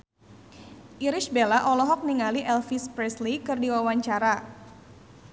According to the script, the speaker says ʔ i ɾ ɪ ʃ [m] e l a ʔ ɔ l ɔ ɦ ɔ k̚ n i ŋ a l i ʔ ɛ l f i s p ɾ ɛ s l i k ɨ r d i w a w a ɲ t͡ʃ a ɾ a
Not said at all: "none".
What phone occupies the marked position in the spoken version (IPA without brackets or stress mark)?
b